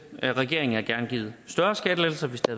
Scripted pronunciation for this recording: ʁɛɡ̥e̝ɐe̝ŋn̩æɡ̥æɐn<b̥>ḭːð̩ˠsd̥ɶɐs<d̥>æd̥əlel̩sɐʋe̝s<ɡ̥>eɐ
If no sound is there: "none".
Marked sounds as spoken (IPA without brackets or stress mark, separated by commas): ɡ̥, ɡ̥, d̥